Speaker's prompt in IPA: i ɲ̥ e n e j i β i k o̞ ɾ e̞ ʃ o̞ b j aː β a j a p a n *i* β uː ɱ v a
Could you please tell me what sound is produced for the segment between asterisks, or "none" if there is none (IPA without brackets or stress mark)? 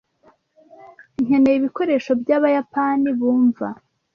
i